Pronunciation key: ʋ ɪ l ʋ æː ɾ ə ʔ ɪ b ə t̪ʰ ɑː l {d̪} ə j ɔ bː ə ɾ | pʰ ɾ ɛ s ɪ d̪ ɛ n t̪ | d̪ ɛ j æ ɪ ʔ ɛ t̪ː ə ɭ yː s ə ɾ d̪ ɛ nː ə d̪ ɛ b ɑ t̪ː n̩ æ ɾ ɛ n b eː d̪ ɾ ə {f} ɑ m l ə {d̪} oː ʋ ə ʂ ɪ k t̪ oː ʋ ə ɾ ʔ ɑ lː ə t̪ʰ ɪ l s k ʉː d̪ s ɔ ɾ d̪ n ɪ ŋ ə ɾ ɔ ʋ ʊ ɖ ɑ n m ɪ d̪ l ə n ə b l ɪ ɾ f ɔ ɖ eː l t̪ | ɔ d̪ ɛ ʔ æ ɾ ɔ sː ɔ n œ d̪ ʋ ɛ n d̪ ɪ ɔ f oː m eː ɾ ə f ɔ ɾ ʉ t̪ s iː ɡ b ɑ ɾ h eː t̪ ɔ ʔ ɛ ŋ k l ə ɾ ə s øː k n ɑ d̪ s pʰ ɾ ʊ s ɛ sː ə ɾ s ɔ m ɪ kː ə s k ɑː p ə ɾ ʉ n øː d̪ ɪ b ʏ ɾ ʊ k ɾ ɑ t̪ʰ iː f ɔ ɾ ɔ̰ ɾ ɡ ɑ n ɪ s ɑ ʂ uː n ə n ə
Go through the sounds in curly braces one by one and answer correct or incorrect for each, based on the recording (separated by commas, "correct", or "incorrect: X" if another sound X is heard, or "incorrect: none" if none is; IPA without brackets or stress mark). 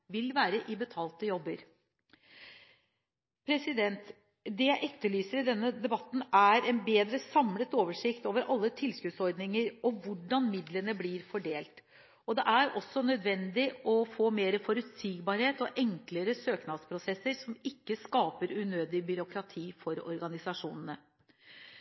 incorrect: t̪, incorrect: s, incorrect: t̪